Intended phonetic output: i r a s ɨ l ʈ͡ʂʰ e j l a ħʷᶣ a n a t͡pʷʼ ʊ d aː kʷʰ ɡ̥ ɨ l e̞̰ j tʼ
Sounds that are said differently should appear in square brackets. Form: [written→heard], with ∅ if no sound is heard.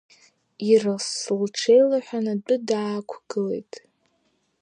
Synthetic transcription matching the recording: i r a s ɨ l ʈ͡ʂʰ e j l a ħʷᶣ a n a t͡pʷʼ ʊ d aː kʷʰ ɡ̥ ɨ l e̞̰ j tʼ